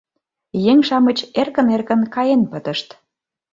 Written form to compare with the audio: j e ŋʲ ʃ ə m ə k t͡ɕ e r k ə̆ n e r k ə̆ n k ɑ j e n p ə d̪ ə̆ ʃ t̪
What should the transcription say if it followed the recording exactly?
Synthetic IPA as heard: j e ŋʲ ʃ ɑ m ə t͡ɕ e r k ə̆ n e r k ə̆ n k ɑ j e n p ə t̪ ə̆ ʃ t̪

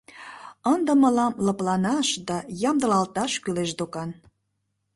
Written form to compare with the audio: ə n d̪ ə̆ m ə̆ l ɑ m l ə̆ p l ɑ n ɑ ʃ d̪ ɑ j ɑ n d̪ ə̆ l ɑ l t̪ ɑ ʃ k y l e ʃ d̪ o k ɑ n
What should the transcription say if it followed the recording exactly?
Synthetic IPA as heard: ə n d̪ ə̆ m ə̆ l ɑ m l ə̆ p l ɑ n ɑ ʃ d̪ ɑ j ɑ m d̪ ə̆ l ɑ l t̪ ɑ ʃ k y l e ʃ d̪ o k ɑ n

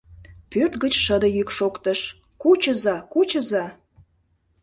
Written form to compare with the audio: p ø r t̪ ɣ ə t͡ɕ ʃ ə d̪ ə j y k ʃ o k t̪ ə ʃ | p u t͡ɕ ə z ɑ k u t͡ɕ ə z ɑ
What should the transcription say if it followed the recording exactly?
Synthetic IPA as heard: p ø r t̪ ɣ ə t͡ɕ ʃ ə d̪ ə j y k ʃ o k t̪ ə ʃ | k u t͡ɕ ə z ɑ k u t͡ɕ ə z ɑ

